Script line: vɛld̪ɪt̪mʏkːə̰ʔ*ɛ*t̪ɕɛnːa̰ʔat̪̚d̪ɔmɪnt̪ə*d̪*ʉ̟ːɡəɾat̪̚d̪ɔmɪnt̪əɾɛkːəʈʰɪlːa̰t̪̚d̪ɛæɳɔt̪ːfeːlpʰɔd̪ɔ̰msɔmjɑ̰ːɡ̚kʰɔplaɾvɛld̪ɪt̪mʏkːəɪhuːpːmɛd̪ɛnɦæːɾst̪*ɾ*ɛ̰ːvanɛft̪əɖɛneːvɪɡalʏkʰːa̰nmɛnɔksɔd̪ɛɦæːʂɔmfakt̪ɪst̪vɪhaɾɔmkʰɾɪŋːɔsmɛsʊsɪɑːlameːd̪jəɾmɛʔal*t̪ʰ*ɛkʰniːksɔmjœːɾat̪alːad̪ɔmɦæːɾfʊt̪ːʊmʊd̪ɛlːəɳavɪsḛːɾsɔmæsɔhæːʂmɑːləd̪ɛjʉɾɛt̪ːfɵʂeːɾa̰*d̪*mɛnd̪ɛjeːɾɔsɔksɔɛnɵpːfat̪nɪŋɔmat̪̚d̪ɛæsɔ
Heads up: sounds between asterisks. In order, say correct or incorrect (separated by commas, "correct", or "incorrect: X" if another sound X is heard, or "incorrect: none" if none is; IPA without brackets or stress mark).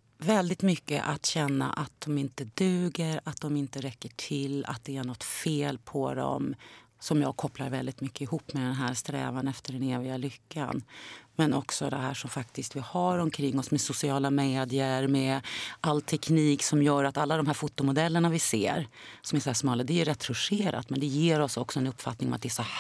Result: incorrect: a, correct, correct, correct, incorrect: t̪